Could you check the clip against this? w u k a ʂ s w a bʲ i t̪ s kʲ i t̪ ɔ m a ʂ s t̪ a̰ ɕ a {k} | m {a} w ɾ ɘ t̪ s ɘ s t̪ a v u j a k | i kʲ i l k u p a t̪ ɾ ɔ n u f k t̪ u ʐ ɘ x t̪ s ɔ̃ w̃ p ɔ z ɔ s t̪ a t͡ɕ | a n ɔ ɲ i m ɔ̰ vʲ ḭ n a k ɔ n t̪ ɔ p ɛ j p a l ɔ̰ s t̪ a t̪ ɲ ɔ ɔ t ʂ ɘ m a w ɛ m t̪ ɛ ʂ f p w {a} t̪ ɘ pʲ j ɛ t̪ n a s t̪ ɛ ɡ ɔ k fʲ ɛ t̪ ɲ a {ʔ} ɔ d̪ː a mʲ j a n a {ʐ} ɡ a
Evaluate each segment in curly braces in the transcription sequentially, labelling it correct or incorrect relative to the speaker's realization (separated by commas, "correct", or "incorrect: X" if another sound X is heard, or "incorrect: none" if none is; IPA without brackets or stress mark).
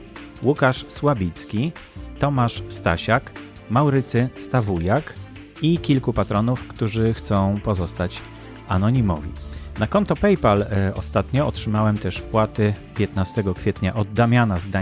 correct, correct, correct, correct, incorrect: z